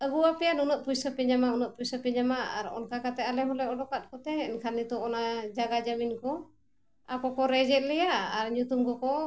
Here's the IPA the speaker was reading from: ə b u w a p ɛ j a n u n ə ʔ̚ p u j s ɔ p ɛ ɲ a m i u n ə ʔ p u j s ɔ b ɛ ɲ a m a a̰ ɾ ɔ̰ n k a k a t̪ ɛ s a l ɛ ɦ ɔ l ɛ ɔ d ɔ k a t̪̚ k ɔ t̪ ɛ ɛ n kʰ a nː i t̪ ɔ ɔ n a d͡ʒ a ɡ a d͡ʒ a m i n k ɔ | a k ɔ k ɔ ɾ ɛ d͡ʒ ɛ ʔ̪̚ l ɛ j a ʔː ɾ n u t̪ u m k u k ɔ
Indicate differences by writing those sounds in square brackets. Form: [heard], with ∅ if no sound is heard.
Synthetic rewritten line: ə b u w a p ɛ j a n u n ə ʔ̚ p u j s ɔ p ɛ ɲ a m [a] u n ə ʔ p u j s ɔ [p] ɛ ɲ a m a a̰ ɾ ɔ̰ n k a k a t̪ ɛ [∅] a l ɛ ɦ ɔ l ɛ ɔ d ɔ k a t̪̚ k ɔ t̪ ɛ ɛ n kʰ a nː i t̪ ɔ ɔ n a d͡ʒ a ɡ a d͡ʒ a m i n k ɔ | a k ɔ k ɔ ɾ ɛ d͡ʒ ɛ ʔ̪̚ l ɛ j a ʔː ɾ [ɲ] u t̪ u m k [ɔ] k ɔ